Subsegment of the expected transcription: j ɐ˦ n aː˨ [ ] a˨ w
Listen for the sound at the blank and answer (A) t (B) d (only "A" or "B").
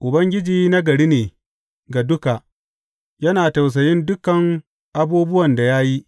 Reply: A